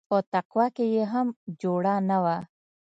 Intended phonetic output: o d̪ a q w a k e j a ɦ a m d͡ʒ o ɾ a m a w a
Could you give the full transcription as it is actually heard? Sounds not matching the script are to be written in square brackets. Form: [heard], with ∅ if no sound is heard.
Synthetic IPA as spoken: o [t̪] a q w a k e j [e] ɦ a m d͡ʒ o [ɽ] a [n] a w a